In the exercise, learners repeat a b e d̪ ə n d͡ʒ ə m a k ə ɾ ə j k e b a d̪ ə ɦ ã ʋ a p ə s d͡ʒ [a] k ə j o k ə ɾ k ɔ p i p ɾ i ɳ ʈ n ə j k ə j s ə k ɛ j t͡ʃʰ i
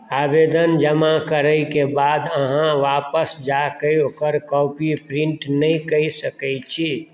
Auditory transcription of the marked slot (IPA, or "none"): a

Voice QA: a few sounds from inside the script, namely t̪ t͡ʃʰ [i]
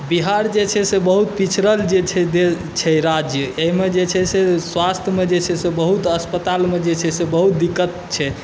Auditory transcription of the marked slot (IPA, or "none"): ɛ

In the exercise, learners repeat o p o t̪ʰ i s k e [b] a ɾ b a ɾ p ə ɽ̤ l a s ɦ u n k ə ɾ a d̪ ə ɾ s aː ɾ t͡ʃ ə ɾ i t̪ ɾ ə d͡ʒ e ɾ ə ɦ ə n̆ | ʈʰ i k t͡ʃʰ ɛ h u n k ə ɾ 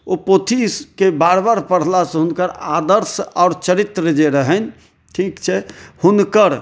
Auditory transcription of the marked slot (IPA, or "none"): b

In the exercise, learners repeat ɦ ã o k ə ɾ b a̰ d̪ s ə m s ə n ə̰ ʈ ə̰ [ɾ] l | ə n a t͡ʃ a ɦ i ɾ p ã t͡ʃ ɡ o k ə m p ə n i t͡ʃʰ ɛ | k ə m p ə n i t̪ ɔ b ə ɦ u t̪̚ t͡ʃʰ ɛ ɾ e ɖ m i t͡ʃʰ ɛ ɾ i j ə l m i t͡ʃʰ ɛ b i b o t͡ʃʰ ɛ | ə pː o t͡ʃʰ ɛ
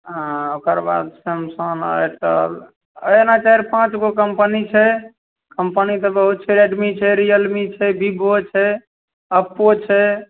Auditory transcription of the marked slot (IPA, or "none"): none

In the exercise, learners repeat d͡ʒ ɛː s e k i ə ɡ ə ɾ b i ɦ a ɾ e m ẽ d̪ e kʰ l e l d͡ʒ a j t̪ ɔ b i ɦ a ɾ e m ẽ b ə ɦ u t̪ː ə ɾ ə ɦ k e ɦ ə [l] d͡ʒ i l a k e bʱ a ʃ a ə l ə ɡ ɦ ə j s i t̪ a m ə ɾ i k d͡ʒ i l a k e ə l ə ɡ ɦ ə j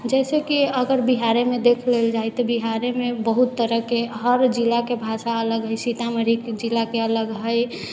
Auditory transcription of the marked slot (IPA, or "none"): ɾ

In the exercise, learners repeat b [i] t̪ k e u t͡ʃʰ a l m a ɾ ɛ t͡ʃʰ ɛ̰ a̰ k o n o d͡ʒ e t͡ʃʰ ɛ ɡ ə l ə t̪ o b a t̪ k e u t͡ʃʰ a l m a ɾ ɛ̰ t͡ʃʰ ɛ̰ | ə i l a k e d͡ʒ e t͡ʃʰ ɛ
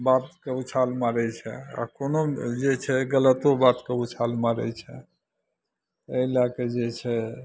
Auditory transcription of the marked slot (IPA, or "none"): a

